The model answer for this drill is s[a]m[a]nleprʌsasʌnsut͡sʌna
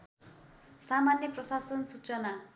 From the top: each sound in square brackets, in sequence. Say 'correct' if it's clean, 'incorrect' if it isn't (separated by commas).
correct, correct